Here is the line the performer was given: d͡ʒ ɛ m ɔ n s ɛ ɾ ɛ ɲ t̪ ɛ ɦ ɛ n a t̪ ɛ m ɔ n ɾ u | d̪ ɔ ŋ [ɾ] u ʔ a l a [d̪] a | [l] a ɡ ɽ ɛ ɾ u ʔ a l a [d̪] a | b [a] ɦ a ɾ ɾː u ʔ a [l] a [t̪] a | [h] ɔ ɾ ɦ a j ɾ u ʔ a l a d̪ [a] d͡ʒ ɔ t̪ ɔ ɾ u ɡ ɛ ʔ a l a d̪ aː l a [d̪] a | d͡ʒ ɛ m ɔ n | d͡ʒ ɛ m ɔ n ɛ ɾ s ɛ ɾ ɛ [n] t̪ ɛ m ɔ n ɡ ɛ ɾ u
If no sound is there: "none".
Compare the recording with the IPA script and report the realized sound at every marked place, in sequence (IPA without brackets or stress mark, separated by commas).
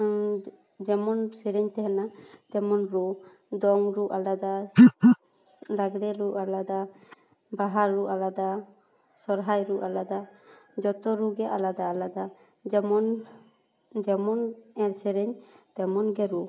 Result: ɾ, d̪, l, d̪, a, l, d̪, s, a, d̪, ɲ